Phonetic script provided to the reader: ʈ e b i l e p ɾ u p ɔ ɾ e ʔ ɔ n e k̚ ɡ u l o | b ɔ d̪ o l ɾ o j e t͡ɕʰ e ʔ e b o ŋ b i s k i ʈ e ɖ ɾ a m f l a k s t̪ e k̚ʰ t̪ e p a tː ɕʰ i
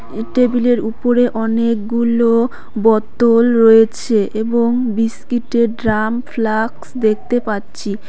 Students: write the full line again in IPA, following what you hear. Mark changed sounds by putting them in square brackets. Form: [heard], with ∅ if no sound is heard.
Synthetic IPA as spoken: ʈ e b i l e [∅] ɾ u p [o] ɾ e ʔ ɔ n e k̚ ɡ u l o | b ɔ [t̪] o l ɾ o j e t͡ɕʰ e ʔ e b o ŋ b i s k i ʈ e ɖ ɾ a m f l a k s [d̪] e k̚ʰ t̪ e p a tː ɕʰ i